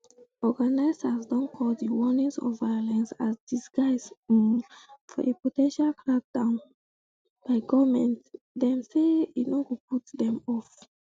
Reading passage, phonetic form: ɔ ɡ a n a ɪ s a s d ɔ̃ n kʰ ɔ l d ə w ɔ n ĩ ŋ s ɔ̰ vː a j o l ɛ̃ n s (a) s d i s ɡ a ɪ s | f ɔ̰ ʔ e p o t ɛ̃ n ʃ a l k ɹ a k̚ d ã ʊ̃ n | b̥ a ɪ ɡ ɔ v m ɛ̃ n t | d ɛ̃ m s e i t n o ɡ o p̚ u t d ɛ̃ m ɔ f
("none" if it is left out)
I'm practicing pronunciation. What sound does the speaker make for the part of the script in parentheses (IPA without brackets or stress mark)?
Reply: a